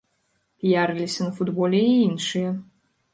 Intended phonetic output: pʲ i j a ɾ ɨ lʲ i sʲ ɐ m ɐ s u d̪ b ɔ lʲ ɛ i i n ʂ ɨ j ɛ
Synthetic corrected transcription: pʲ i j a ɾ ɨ lʲ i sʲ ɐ n ɐ f u d̪ b ɔ lʲ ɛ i i n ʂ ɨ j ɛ